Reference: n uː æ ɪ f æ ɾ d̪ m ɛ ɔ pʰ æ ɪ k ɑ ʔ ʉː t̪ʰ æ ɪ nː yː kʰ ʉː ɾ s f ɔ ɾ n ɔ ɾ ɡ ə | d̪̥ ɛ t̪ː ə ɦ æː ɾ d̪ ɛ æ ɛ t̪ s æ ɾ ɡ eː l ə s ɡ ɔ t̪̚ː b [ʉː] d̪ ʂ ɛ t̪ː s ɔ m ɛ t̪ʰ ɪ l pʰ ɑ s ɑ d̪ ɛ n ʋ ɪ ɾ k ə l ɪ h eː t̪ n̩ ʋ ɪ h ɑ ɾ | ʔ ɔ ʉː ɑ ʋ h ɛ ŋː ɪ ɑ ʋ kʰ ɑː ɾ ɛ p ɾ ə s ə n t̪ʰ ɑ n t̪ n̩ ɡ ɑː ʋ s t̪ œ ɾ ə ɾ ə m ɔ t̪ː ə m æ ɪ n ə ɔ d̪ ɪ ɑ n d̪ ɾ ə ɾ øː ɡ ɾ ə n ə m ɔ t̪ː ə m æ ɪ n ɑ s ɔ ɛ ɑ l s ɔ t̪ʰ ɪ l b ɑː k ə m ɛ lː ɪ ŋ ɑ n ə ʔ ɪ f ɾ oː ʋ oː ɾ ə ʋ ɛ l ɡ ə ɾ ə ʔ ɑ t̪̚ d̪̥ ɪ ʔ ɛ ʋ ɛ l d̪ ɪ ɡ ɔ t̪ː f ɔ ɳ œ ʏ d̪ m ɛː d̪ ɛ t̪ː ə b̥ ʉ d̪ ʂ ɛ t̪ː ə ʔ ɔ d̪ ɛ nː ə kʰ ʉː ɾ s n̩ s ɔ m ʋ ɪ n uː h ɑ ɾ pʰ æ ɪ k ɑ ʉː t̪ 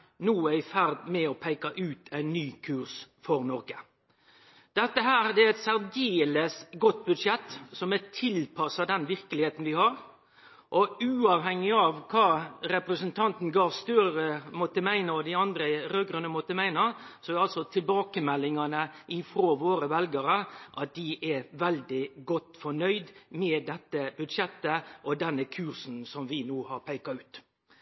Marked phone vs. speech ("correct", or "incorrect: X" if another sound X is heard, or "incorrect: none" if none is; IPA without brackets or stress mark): incorrect: ʉ